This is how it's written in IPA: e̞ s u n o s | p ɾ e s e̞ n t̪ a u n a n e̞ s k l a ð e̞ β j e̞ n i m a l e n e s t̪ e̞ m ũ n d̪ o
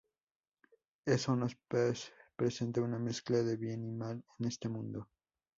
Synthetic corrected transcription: e̞ s o n o s | p ɾ e s e̞ n t̪ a u n a m e̞ s k l a ð e̞ β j e̞ n i m a l e n e s t̪ e̞ m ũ n d̪ o